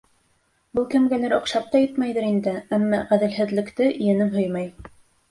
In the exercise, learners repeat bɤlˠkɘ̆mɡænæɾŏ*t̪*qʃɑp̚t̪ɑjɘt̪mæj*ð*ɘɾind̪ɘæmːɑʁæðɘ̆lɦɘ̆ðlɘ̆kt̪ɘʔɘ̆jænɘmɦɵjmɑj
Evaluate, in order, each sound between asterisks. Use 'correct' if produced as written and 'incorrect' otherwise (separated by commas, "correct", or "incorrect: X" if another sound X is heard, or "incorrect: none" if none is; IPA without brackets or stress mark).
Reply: incorrect: none, correct